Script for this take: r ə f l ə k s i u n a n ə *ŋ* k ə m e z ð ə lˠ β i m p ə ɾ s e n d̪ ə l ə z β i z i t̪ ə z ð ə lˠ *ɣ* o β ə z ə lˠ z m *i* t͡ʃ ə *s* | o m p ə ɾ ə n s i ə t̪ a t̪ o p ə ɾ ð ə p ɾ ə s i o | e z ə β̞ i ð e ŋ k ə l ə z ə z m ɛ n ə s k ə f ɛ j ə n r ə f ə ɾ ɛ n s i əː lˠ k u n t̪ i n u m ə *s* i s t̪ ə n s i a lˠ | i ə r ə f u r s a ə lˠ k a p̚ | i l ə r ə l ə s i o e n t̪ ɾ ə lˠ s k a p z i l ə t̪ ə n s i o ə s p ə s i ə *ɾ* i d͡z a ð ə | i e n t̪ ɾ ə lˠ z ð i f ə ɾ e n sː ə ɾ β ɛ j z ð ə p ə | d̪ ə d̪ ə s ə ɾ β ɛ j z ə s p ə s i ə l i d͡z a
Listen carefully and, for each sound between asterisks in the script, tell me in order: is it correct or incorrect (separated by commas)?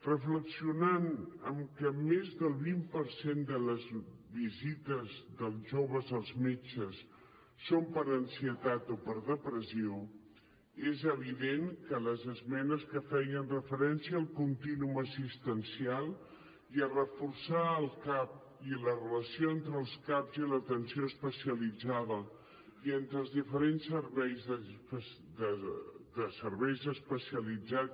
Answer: incorrect, incorrect, incorrect, incorrect, correct, incorrect